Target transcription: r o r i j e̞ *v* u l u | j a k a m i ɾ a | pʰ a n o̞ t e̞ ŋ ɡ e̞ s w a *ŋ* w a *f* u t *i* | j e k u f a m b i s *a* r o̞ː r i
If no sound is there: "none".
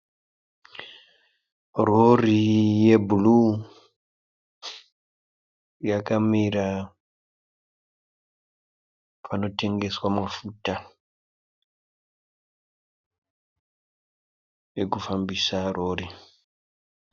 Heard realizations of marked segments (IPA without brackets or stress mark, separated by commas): b, m, f, a, a